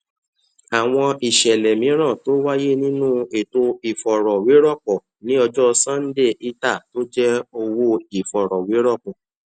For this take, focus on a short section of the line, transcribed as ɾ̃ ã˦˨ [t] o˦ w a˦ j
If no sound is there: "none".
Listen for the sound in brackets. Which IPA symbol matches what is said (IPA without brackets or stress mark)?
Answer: t